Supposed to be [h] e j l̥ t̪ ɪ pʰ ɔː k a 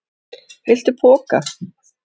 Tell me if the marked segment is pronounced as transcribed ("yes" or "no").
yes